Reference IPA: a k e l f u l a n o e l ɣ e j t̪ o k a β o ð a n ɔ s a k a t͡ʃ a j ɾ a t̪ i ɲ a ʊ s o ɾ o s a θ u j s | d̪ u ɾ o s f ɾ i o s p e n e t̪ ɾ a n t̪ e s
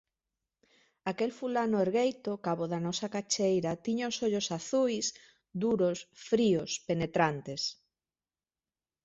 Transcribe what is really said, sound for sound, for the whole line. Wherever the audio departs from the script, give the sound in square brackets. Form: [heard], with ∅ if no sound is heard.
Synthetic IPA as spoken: a k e l f u l a n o e [ɾ] ɣ e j t̪ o k a β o ð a n ɔ s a k a t͡ʃ [e] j ɾ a t̪ i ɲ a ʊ s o [ʎ] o s a θ u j s | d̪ u ɾ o s f ɾ i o s p e n e t̪ ɾ a n t̪ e s